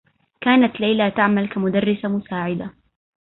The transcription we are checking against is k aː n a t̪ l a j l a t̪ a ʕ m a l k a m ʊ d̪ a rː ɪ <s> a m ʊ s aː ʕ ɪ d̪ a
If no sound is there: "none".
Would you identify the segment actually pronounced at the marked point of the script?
s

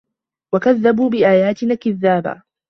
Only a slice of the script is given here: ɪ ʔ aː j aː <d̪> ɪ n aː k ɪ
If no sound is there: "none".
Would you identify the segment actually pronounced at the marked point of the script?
t̪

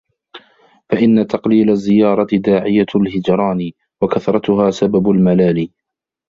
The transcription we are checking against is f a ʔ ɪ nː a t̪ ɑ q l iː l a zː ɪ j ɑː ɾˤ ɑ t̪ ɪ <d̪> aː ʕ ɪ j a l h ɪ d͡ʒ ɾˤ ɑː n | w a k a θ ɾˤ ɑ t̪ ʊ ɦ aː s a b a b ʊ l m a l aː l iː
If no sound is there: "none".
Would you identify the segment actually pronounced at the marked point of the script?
d̪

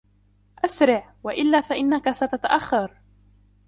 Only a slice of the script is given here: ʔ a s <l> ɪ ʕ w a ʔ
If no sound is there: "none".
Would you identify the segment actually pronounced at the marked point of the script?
ɾ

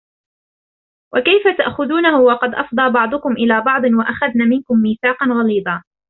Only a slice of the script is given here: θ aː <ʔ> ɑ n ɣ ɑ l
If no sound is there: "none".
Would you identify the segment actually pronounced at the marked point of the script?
q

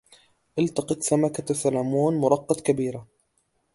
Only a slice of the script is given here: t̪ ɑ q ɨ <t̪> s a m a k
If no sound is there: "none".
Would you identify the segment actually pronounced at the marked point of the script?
t̪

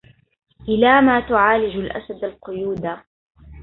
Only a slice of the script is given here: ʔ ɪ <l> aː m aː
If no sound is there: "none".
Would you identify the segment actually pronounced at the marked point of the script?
l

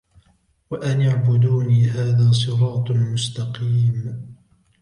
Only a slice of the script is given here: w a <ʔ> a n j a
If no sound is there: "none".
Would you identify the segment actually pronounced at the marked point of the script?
ʔ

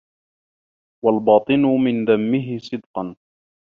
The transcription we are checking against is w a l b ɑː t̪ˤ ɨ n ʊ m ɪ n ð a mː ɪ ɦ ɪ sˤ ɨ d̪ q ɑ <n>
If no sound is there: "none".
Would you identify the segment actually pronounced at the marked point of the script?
n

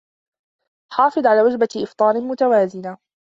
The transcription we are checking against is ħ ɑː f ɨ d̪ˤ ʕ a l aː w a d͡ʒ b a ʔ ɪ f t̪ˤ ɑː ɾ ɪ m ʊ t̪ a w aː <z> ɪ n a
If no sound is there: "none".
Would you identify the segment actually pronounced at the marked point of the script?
z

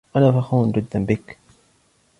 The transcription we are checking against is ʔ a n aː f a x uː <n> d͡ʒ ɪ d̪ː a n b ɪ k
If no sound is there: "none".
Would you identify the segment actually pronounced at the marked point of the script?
n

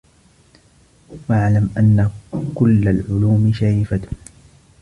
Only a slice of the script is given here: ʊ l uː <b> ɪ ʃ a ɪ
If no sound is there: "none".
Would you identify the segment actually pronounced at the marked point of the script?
m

